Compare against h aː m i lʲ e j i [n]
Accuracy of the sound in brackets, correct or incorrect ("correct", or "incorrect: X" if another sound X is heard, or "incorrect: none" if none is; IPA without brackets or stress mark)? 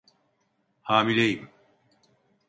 incorrect: m